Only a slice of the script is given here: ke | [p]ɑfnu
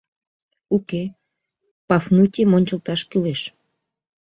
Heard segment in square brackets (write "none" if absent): p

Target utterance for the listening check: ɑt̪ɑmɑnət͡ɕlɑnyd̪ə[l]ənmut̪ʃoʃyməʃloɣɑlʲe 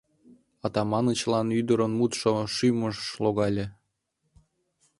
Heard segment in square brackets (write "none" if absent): ɾ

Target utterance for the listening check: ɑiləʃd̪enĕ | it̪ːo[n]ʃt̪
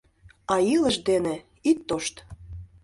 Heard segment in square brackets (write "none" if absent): none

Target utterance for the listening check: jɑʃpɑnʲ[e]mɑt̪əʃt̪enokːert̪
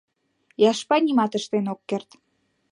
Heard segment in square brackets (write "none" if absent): i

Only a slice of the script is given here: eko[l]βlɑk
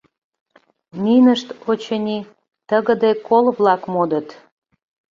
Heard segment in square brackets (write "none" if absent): l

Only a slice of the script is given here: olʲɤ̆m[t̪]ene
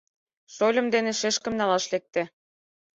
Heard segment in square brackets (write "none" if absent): d̪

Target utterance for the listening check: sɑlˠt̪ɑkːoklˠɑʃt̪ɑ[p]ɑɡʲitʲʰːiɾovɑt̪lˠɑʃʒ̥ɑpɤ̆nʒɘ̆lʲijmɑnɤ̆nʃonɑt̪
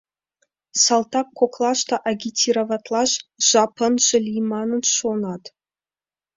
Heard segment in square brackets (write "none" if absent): ʔ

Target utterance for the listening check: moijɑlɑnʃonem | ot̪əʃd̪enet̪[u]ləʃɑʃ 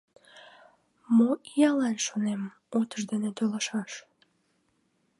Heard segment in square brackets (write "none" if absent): o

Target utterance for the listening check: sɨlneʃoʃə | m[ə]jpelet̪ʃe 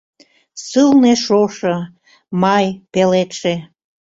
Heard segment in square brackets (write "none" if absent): ɑ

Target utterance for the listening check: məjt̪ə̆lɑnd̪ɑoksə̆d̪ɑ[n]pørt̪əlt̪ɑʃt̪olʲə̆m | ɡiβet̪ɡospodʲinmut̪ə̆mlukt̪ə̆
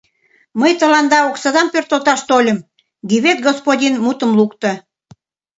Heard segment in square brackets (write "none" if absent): m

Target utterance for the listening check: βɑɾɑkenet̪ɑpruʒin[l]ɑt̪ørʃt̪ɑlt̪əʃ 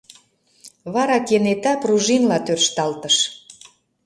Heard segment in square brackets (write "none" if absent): l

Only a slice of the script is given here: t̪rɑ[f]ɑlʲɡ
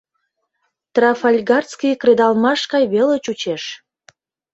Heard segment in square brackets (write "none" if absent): f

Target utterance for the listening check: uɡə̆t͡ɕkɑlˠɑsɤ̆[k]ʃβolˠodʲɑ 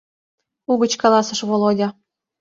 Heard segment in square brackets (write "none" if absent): none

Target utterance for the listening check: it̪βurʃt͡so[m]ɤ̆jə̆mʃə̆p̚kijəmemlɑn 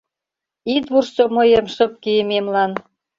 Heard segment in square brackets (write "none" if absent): m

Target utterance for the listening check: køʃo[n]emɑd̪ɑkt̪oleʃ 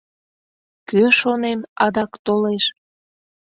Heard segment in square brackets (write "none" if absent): n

